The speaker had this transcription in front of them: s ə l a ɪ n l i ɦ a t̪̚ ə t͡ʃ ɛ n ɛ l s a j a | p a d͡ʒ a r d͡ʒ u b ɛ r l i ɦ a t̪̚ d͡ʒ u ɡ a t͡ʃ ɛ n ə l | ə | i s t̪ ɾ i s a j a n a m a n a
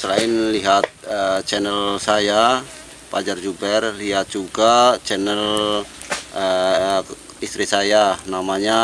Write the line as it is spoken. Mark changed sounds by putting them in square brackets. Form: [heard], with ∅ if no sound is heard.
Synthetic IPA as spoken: s ə l a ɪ n l i ɦ a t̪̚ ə t͡ʃ ɛ n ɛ l s a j a | p a d͡ʒ a r d͡ʒ u b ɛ r l i ɦ a t̪̚ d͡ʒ u ɡ a t͡ʃ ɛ n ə l | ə | i s t̪ ɾ i s a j a n a m a [ɲ] a